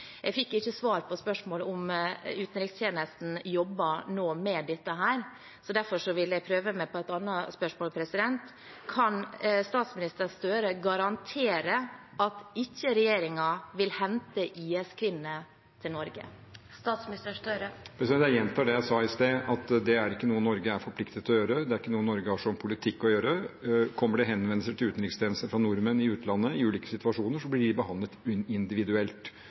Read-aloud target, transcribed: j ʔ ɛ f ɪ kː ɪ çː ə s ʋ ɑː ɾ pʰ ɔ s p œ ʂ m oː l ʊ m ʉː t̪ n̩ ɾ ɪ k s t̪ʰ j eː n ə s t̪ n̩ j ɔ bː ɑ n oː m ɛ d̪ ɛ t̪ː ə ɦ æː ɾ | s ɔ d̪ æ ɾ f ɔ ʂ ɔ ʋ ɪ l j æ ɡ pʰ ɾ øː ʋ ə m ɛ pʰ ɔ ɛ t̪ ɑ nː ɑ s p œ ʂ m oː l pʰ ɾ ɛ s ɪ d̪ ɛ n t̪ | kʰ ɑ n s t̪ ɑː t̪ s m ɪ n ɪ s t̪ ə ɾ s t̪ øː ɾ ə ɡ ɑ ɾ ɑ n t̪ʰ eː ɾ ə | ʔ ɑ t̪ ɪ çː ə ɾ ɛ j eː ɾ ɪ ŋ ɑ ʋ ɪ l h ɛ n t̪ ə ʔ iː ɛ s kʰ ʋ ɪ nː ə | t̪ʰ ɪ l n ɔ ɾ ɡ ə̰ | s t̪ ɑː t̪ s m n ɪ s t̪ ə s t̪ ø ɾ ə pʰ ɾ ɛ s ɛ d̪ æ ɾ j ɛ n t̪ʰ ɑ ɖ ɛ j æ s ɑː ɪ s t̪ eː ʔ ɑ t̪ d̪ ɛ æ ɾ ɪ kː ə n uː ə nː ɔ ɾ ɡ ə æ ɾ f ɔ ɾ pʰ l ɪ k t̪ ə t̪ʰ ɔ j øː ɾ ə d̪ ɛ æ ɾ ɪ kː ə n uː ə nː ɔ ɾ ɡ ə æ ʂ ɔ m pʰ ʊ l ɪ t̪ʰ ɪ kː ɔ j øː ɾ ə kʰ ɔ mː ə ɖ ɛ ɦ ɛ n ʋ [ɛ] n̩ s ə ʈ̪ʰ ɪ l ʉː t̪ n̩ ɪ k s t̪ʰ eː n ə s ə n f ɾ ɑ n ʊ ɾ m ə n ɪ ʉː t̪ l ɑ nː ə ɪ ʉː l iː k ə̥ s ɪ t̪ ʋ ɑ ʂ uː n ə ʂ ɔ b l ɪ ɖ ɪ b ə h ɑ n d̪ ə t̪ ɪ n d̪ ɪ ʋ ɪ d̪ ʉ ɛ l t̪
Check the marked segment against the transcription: correct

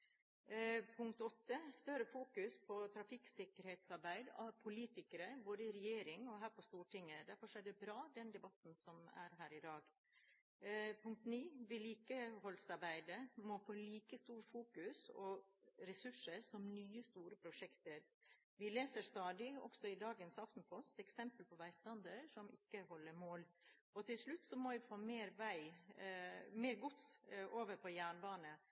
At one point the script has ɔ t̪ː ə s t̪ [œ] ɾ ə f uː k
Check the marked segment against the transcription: correct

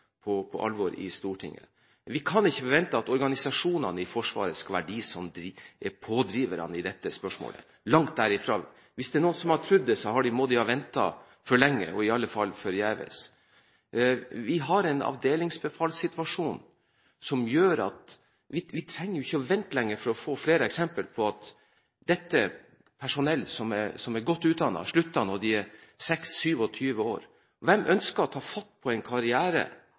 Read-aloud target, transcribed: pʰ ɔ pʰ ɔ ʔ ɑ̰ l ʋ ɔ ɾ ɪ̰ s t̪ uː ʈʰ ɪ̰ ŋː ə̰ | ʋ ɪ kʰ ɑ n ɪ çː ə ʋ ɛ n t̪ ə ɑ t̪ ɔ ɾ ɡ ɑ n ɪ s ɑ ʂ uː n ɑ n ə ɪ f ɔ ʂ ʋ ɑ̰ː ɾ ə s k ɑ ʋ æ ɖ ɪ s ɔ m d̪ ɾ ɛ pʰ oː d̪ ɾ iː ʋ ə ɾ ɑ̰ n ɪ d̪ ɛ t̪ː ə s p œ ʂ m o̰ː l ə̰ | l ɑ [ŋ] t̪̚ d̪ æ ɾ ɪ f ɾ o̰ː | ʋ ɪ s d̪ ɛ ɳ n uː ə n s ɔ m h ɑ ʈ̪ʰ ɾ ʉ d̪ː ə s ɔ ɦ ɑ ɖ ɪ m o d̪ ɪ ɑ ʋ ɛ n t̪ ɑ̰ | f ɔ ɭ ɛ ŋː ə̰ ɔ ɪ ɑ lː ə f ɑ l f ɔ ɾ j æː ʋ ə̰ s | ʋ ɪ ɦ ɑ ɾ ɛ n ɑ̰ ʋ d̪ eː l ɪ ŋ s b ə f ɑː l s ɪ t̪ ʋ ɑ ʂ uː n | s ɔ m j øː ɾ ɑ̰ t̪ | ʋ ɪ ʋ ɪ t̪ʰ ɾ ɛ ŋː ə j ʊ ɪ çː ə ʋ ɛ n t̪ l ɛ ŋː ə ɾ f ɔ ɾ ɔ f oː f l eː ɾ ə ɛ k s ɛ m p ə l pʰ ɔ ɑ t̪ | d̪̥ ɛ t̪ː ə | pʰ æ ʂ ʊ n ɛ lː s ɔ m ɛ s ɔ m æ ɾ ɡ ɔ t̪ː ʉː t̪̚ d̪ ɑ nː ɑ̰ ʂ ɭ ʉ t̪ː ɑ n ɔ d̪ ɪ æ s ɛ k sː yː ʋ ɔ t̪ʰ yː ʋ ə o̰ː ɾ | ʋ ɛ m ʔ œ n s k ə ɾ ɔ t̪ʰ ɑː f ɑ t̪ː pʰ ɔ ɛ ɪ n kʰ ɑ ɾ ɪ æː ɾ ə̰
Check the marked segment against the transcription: correct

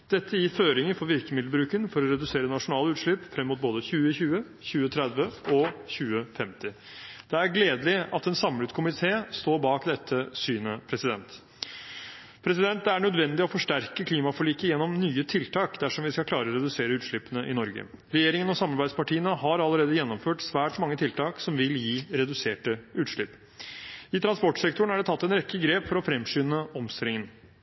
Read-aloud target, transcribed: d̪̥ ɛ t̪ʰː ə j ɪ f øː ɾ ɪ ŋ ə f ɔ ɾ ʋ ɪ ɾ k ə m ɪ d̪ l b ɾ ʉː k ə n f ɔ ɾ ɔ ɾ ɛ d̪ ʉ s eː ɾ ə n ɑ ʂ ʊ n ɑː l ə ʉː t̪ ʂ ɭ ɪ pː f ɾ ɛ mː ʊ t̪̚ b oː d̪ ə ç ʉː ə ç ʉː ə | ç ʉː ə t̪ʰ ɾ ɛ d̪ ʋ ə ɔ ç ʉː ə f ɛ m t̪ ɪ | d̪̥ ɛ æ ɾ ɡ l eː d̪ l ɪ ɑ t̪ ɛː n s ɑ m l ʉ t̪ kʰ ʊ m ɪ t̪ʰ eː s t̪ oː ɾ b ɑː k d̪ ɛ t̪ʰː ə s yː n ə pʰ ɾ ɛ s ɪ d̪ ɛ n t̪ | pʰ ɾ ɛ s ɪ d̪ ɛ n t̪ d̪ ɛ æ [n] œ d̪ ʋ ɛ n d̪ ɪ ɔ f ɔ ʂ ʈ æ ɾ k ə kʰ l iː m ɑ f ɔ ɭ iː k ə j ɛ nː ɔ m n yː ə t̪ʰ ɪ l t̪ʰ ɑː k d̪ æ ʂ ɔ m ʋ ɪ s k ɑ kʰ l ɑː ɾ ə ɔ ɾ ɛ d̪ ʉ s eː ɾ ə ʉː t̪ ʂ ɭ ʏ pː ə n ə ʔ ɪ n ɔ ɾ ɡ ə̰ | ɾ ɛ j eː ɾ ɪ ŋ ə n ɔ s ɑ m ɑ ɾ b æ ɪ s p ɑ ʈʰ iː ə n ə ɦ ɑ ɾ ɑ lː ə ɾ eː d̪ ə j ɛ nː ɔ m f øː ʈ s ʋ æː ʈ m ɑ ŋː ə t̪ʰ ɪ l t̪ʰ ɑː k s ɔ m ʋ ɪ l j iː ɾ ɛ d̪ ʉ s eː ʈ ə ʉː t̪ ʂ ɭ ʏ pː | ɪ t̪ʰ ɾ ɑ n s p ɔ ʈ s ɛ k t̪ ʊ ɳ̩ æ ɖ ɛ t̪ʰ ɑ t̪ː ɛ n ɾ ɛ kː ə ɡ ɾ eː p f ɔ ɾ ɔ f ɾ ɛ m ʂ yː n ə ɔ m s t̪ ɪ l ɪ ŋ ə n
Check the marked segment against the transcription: incorrect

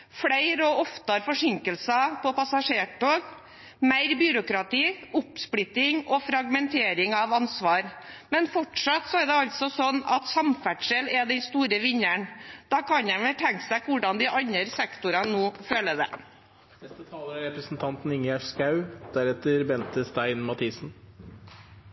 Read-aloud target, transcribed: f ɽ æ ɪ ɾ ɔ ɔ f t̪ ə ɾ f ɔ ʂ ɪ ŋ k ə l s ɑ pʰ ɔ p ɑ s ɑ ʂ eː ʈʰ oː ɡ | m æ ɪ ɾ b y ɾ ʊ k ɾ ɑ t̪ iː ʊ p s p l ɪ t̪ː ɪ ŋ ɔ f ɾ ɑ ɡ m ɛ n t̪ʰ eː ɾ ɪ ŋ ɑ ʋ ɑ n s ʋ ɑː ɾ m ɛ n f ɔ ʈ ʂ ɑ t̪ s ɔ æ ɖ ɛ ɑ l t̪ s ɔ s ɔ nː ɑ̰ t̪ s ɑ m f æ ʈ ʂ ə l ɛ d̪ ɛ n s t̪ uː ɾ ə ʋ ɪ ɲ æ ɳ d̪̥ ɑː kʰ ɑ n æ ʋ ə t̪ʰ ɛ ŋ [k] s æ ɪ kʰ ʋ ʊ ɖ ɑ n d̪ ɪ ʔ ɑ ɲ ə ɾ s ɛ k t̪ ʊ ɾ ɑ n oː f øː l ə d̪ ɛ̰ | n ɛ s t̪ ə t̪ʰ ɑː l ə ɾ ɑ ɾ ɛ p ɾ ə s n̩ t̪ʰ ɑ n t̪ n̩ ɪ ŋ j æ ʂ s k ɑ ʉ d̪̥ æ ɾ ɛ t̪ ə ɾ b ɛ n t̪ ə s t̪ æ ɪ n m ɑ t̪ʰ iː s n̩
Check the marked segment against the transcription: correct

